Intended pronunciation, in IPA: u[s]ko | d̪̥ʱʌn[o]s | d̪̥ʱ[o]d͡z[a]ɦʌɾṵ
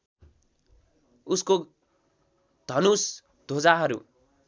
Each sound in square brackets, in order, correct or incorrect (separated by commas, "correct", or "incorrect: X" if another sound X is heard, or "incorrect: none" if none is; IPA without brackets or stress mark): correct, incorrect: u, correct, correct